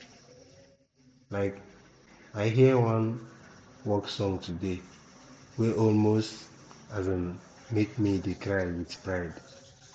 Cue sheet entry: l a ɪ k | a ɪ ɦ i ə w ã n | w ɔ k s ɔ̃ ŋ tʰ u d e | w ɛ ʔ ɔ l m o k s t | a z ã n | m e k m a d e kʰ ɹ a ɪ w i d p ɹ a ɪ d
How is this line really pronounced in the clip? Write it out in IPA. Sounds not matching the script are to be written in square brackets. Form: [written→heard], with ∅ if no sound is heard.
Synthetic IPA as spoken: l a ɪ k | a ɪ ɦ i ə w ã n | w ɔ k s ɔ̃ ŋ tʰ u d e | w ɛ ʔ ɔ l m o [k→∅] s t | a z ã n | m e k m [a→i] d e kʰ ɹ a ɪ w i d p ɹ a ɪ d